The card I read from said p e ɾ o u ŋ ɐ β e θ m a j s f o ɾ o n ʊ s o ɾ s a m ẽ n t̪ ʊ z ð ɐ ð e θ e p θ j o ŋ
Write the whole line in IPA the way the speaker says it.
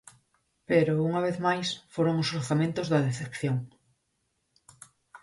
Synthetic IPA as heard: p e ɾ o u ŋ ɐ β e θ m a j s f o ɾ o ŋ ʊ s o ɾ θ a m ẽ n t̪ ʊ z ð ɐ ð e θ e p θ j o ŋ